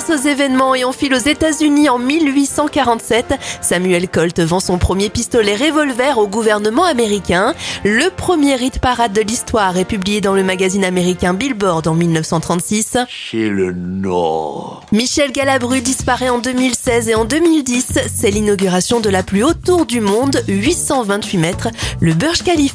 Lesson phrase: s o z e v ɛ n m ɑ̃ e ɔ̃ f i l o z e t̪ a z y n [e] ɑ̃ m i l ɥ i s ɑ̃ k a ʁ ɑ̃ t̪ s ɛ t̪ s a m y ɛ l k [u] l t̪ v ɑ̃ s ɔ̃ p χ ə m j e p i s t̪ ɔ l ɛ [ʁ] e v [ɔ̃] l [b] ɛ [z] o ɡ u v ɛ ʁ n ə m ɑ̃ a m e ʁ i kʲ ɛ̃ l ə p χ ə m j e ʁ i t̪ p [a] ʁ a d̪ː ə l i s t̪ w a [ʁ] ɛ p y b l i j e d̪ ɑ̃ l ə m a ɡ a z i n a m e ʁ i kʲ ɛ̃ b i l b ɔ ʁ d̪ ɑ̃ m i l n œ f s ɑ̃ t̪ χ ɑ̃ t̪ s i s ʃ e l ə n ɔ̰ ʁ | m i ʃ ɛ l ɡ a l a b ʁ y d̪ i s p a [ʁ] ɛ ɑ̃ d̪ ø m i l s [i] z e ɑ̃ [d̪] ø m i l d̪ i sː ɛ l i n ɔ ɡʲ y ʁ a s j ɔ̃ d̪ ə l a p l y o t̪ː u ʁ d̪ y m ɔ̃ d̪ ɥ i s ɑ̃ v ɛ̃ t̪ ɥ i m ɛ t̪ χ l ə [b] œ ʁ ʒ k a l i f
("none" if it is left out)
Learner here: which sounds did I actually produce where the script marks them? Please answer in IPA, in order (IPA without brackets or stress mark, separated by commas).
i, ɔ, ʁ, ɔ, v, ʁ, a, ʁ, ʁ, ɛ, d̪, b